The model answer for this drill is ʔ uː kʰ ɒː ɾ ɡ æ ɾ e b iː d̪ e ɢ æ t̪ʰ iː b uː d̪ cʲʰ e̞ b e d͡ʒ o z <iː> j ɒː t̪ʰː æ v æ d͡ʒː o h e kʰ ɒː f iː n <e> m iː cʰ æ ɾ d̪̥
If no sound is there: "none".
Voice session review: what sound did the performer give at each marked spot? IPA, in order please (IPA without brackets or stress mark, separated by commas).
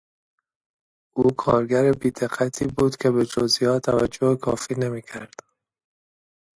i, e